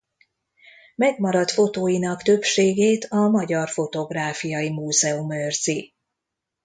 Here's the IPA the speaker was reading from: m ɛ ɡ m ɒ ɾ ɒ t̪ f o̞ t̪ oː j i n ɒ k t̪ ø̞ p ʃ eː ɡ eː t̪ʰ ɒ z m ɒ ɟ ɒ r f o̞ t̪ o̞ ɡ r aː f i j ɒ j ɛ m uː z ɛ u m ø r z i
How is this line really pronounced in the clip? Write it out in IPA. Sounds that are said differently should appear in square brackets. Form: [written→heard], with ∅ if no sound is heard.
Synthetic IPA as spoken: m ɛ ɡ m ɒ ɾ ɒ t̪ f o̞ t̪ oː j i n ɒ k t̪ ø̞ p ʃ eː ɡ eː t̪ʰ ɒ [z→∅] m ɒ ɟ ɒ r f o̞ t̪ o̞ ɡ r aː f i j ɒ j [ɛ→i] m uː z ɛ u m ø r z i